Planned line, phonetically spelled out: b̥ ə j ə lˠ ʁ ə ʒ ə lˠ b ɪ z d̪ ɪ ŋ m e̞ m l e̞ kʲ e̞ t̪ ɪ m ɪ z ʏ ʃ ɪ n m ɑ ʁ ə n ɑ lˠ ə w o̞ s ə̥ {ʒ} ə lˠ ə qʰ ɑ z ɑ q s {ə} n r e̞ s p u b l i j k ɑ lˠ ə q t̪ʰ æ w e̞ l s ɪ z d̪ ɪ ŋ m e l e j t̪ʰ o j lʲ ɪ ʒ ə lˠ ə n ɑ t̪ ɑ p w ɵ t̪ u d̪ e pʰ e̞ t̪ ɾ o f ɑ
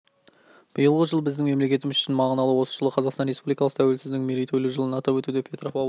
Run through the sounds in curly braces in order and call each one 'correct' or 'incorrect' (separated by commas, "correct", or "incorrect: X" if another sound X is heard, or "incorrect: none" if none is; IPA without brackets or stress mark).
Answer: correct, incorrect: ɑ